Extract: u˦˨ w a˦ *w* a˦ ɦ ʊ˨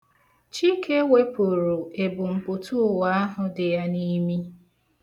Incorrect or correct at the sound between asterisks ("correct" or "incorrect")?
incorrect